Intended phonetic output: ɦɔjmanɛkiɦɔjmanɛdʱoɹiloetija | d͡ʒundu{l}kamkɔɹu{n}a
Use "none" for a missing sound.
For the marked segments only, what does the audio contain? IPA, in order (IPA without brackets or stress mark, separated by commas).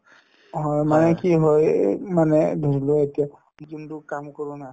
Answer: none, n